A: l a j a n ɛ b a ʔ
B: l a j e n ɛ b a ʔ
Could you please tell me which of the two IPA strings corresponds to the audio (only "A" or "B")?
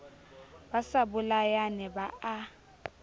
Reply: A